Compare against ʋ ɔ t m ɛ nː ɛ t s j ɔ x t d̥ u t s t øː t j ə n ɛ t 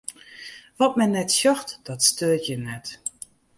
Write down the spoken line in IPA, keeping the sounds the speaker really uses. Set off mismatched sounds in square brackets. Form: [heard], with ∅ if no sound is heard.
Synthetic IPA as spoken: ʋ ɔ t m ɛ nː ɛ t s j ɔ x t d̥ [ɔ] t s t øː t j ə n ɛ t